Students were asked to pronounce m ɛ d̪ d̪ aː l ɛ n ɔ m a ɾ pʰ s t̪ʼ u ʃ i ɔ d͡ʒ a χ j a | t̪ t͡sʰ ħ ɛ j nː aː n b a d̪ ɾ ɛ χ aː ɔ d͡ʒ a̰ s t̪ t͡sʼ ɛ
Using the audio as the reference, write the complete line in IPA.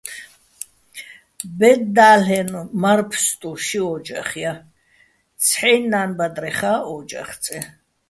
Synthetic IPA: b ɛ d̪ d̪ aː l ɛ n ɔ m a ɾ pʰ s t̪ʼ u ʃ i ɔ d͡ʒ a χ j a | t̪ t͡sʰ ħ ɛ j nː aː n b a d̪ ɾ ɛ χ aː ɔ d͡ʒ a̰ χ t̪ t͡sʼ ɛ